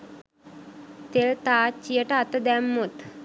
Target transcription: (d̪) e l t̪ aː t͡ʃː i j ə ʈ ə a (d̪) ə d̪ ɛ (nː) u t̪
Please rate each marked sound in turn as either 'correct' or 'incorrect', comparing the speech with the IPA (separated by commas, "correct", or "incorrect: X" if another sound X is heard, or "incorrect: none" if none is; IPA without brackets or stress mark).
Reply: incorrect: t̪, incorrect: t̪, incorrect: mː